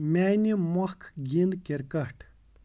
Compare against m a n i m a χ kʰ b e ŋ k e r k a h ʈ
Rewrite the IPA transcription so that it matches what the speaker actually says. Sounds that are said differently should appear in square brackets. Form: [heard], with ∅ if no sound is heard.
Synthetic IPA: m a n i m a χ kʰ [ɡ] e [n] k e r k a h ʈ